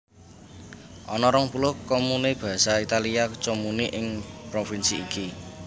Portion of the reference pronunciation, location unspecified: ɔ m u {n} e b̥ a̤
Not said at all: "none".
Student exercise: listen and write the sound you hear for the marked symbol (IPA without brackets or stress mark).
n